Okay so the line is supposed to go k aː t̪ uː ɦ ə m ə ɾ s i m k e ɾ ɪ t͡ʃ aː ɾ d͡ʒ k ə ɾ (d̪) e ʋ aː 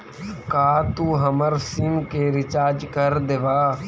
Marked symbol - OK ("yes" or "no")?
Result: yes